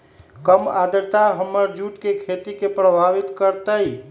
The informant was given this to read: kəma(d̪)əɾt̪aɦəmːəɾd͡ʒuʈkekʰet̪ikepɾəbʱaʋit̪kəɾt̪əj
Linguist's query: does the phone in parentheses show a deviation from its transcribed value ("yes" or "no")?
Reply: no